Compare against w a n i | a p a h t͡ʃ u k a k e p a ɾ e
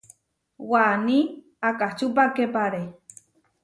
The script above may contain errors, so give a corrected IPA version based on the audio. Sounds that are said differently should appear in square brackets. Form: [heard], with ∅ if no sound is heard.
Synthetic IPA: w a n i | a [k] a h t͡ʃ u [p] a k e p a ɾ e